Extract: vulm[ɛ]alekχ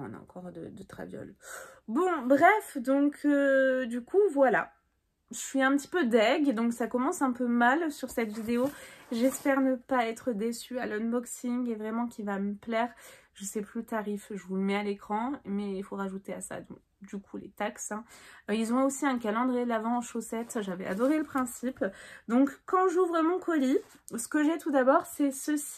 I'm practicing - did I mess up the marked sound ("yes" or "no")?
no